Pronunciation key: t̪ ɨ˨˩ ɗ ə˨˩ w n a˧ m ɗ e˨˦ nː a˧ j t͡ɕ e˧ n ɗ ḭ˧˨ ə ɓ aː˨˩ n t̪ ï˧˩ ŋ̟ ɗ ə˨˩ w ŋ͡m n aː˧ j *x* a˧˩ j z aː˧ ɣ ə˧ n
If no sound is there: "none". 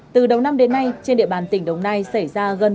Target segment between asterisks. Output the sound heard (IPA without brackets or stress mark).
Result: s